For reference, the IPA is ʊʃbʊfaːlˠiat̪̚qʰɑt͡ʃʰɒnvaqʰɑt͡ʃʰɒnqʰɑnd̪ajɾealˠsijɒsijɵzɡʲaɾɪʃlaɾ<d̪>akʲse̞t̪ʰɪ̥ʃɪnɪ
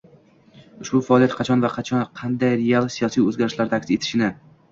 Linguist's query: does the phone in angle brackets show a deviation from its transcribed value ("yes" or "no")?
no